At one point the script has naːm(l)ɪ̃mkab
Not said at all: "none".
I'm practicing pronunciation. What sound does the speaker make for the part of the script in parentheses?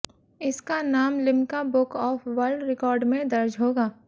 l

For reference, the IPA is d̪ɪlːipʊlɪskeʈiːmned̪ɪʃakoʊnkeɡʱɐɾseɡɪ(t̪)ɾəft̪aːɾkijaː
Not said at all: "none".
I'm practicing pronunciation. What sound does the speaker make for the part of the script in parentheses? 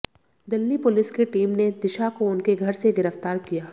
none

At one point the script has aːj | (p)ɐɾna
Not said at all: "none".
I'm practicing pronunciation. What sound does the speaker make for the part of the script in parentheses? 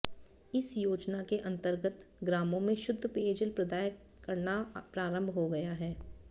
k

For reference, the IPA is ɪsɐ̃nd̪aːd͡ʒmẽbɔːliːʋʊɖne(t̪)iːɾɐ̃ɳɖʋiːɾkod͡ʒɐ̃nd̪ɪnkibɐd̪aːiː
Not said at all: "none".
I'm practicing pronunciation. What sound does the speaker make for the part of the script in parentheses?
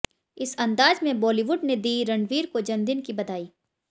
d̪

